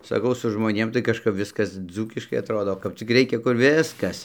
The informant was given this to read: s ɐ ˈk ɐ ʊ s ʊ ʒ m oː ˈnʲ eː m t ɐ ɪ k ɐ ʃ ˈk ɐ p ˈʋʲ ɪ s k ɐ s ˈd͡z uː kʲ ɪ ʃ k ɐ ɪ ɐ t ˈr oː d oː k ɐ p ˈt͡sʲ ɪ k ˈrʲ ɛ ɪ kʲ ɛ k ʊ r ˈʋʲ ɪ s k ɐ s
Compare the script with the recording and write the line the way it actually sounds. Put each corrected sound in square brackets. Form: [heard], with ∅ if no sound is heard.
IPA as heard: s ɐ ˈk ɐ ʊ s ʊ ʒ m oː ˈnʲ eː m t ɐ ɪ k ɐ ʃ ˈk ɐ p ˈʋʲ ɪ s k ɐ s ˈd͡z uː kʲ ɪ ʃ k ɐ ɪ ɐ t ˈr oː d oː k ɐ p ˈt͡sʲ ɪ k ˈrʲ ɛ ɪ kʲ ɛ k ʊ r ˈʋʲ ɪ s k ɐ s